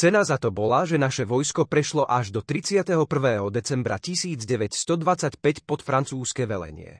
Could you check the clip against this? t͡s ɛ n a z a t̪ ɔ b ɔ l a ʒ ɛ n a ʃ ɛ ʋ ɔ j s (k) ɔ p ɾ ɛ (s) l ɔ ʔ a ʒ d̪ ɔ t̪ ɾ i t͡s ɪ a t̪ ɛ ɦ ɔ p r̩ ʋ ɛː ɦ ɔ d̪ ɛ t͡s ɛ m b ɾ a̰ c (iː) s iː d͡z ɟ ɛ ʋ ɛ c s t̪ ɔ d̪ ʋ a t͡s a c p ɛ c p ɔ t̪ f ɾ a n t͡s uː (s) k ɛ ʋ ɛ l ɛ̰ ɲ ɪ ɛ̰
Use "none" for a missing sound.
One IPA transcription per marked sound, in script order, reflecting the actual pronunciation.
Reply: k, ʃ, i, s

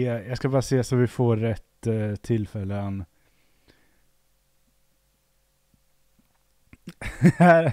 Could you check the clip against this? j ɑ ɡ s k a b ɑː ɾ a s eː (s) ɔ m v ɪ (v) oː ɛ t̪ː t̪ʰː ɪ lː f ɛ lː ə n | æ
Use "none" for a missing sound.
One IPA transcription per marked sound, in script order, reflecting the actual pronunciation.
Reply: s, f

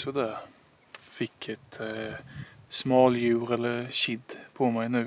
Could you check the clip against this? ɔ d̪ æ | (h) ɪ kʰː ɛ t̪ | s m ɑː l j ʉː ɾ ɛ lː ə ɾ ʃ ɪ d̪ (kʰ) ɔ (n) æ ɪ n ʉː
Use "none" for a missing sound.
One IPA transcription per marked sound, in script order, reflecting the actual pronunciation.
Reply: f, pʰ, m

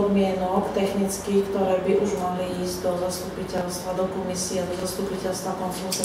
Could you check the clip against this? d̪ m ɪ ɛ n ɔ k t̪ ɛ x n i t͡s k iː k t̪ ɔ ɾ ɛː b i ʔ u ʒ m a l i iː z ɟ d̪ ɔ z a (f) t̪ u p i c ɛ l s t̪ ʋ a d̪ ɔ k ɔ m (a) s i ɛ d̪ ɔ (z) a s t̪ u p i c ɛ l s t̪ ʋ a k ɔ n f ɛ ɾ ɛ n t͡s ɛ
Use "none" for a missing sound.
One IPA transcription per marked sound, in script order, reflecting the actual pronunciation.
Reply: s, i, z

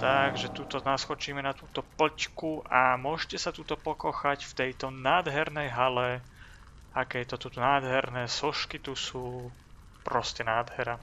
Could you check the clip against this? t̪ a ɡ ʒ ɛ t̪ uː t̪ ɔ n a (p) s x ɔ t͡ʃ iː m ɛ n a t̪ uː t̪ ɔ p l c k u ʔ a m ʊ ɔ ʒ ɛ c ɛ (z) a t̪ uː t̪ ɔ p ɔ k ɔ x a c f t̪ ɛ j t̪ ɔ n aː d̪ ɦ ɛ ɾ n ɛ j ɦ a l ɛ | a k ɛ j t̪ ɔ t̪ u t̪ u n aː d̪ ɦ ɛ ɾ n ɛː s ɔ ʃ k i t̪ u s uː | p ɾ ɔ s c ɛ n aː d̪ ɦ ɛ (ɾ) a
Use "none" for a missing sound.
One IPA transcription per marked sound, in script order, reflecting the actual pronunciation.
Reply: none, s, ɾ

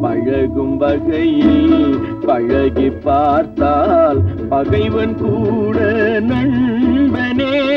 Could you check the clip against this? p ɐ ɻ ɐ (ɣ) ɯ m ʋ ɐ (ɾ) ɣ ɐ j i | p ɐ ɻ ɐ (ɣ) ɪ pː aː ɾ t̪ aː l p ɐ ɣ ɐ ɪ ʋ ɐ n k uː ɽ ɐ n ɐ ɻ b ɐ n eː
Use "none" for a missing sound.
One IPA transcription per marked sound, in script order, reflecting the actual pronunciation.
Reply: ɣ, none, ɣ

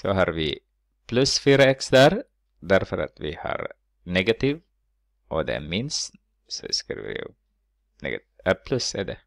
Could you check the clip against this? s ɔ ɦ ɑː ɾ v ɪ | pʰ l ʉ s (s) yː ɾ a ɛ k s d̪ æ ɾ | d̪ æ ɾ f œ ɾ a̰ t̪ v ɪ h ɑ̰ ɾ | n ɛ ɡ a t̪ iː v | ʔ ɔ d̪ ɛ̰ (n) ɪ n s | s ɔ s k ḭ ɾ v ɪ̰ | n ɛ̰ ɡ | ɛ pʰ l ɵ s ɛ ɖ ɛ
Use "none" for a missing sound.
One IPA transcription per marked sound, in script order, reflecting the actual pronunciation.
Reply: f, m

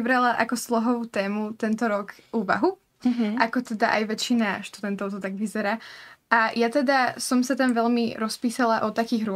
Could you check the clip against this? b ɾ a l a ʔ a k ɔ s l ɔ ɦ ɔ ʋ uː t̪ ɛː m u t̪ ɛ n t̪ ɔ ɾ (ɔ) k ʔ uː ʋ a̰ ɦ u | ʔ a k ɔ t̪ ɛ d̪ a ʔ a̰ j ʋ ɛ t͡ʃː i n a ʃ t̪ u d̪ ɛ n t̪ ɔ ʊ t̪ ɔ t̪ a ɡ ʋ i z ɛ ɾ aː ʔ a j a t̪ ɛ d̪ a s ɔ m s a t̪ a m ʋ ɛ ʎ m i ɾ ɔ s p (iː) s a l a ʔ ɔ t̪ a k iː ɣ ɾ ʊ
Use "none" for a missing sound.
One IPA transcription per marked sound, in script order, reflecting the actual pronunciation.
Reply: ɔ, iː

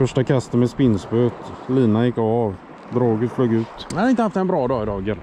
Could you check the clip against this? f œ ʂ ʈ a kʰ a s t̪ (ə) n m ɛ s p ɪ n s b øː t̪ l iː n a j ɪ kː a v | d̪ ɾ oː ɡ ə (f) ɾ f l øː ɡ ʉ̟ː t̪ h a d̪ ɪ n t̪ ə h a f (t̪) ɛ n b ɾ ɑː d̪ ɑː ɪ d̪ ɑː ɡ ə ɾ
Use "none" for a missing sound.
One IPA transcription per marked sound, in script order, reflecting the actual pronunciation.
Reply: ə, none, t̪

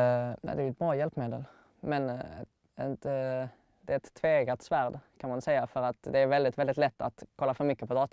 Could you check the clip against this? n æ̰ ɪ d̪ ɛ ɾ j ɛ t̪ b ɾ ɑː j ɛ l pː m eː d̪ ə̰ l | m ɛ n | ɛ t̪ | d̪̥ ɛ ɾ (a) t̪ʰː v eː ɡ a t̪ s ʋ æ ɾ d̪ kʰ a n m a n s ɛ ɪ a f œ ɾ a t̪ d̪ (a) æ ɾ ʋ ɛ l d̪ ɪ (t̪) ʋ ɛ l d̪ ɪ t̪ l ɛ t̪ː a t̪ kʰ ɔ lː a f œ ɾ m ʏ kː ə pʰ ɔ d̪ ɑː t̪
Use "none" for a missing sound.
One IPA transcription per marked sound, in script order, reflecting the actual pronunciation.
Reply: ɛ, ɛ, t̪

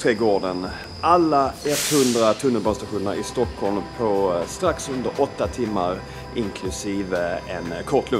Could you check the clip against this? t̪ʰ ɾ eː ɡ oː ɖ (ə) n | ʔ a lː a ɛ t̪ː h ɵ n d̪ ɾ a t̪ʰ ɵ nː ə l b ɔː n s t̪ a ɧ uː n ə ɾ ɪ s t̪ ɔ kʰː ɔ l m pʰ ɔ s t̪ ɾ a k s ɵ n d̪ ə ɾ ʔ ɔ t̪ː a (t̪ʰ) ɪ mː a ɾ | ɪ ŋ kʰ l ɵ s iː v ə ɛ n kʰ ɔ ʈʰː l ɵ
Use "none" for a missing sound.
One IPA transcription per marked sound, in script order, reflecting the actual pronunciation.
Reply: ə, t̪ʰ

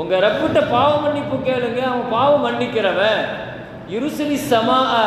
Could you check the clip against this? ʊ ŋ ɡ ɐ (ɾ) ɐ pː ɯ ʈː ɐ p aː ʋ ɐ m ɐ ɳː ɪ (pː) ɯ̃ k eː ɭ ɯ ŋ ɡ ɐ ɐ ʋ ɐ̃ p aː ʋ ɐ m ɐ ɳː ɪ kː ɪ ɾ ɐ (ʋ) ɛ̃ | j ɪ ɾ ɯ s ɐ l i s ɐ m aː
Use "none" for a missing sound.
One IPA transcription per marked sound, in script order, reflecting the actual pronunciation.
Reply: ɾ, pː, ʋ

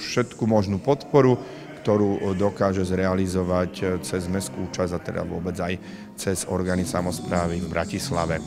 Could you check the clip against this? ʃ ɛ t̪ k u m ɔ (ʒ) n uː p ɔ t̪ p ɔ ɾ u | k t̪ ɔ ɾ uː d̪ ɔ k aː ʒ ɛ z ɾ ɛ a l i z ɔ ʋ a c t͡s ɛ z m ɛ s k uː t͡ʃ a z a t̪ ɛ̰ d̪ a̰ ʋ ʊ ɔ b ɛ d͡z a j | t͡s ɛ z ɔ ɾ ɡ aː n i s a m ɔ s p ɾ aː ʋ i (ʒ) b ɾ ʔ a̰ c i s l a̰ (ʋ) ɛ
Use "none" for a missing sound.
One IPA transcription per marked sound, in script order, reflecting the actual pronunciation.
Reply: ʒ, v, ʋ

